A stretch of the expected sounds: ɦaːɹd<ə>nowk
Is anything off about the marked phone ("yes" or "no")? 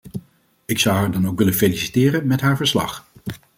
yes